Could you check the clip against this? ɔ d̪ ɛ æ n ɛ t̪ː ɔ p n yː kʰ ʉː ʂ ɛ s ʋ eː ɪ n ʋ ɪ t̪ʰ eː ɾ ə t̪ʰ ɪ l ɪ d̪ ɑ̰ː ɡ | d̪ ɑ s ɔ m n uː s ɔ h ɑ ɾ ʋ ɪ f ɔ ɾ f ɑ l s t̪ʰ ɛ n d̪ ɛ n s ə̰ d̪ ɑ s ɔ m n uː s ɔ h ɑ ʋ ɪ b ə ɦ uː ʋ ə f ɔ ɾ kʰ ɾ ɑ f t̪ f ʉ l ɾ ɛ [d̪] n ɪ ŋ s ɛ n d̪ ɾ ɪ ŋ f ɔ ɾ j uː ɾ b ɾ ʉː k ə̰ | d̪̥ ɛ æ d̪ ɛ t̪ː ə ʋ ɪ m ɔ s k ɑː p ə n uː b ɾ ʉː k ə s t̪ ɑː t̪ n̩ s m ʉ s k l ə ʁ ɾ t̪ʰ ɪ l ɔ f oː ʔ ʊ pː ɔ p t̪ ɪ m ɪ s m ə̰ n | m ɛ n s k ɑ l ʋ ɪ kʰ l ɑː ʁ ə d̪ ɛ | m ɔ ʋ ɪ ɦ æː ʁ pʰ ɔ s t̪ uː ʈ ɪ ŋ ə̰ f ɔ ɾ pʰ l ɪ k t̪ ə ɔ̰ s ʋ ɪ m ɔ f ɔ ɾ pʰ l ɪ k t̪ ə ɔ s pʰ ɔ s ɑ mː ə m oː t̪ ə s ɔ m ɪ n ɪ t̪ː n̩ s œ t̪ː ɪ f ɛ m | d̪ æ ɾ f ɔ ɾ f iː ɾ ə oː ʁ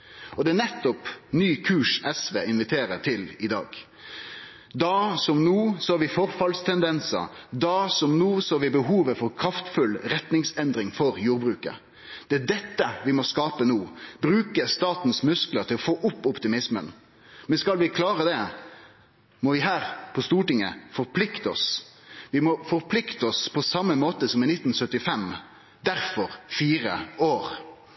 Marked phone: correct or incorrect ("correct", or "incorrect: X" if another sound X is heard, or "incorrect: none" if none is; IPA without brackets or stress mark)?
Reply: incorrect: t̪